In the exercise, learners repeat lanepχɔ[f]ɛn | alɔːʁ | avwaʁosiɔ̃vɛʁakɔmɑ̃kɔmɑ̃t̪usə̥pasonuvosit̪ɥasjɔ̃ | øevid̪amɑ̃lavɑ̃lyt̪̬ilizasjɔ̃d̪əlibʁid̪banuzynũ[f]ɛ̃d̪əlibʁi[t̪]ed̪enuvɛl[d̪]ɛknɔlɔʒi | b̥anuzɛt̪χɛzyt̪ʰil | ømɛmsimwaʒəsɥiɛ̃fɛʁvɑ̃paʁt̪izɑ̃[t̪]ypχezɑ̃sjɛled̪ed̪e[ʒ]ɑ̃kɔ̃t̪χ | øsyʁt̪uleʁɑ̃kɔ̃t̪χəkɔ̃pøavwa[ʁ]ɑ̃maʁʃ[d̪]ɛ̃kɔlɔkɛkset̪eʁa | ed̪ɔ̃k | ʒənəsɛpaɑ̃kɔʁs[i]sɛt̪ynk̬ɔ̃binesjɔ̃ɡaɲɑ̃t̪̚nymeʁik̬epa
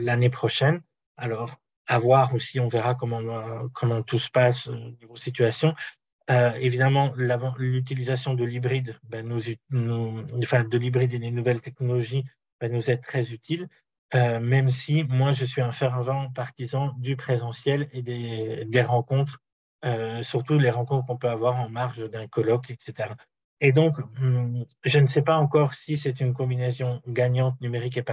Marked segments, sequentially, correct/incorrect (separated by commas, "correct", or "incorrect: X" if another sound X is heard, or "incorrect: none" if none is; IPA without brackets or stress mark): incorrect: ʃ, correct, incorrect: d̪, incorrect: t̪, incorrect: d̪, incorrect: ʁ, correct, correct, correct